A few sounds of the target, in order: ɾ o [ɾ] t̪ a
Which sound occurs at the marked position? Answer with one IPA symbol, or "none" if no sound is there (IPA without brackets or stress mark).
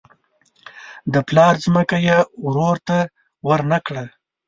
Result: ɾ